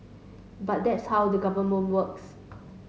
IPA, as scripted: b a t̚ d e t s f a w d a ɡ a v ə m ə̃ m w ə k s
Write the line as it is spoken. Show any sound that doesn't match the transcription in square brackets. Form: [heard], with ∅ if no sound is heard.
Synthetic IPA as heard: b a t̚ d [ɛ] t s [h] a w d [ə] ɡ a v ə m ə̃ [n] w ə k s